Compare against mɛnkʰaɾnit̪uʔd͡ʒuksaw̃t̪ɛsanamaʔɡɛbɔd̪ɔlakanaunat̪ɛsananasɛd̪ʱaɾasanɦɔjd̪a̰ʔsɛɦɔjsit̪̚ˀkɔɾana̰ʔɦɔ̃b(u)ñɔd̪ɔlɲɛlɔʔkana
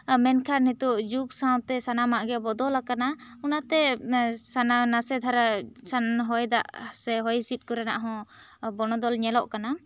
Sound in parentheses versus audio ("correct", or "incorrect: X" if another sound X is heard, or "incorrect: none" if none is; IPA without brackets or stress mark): incorrect: ɔ